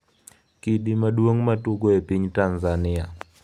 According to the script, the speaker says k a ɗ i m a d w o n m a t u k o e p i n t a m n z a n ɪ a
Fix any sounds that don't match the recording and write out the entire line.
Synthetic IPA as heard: k i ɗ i m a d w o ŋ m a t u ɡ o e p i ɲ t a n z a n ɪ a